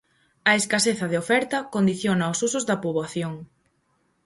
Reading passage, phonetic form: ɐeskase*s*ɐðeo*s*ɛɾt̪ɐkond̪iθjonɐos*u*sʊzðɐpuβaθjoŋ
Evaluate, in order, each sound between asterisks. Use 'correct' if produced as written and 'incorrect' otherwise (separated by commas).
incorrect, incorrect, correct